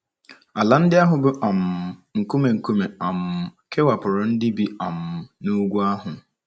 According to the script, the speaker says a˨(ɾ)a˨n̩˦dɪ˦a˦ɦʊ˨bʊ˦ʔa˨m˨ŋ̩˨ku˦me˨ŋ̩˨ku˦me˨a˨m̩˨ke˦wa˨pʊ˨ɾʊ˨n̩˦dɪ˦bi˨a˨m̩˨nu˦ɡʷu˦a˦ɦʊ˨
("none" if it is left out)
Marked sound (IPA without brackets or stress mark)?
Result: l